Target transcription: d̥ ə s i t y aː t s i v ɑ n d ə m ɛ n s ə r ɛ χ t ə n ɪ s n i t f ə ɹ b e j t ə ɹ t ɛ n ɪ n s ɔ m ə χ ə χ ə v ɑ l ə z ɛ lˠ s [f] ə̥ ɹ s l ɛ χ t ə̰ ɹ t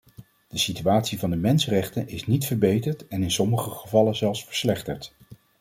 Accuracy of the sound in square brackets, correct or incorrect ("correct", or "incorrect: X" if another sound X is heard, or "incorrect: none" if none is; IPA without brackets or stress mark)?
correct